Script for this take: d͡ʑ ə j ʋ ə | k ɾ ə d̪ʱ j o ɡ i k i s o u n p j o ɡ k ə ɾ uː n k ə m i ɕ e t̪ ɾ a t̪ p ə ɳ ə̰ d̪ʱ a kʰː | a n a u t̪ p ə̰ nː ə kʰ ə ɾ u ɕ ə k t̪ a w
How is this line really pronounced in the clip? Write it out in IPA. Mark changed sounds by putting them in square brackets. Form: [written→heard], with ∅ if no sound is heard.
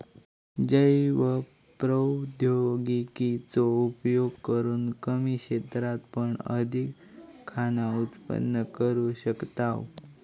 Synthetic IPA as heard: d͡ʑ ə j ʋ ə | [k→p] ɾ ə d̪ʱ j o ɡ i k i [s→t͡s] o u [n→∅] p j o ɡ k ə ɾ uː n k ə m i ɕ e t̪ ɾ a t̪ p ə ɳ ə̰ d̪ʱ [a→i] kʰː | a n a u t̪ p ə̰ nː ə [kʰ→k] ə ɾ u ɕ ə k t̪ a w